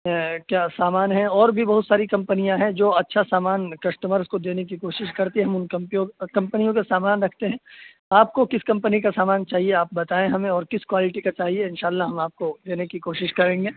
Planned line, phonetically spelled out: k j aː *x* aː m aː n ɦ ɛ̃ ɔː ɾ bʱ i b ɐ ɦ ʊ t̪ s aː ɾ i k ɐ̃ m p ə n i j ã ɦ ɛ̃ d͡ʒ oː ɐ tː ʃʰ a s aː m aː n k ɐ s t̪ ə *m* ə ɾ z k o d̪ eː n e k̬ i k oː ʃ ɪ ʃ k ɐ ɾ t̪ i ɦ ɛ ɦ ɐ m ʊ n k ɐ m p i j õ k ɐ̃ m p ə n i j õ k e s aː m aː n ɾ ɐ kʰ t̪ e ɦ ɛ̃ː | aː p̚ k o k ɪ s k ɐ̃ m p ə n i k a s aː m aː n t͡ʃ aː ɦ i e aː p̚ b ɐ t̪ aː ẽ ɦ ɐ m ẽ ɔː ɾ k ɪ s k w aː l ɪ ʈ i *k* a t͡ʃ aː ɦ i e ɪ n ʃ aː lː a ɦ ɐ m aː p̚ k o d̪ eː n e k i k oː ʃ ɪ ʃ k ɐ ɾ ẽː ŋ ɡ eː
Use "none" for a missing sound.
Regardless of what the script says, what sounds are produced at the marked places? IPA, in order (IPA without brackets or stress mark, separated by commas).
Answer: s, m, k